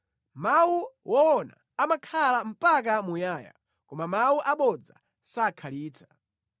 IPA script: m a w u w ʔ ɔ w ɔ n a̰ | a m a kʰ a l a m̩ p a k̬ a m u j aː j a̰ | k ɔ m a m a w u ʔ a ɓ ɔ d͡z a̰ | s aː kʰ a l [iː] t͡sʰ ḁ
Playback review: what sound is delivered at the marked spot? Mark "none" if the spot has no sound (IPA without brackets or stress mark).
iː